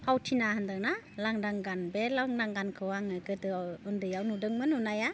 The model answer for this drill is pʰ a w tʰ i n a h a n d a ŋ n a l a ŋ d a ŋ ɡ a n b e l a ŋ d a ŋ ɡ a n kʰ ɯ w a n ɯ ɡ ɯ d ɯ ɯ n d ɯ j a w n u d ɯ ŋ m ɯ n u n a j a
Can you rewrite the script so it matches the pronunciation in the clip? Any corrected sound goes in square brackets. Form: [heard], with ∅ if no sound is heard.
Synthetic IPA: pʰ a w tʰ i n a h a n d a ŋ n a l a ŋ d a ŋ ɡ a n b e l a ŋ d a ŋ ɡ a n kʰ ɯ w a [ŋ] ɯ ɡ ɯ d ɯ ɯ n d ɯ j a w n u d ɯ ŋ m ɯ n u n a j a